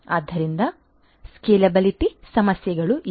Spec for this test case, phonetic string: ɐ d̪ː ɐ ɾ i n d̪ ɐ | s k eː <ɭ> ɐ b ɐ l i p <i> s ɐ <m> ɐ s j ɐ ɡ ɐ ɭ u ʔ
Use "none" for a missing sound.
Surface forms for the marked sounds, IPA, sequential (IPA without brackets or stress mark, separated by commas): l, i, m